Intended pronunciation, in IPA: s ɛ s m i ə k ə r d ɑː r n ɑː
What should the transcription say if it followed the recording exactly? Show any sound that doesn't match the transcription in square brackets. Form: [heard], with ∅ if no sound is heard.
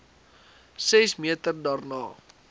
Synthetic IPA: s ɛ s m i ə [t] ə r d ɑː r n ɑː